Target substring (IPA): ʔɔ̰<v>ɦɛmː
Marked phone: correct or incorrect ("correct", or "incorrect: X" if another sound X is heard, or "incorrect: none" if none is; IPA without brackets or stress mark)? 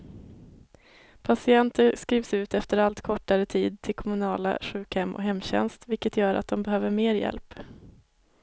incorrect: none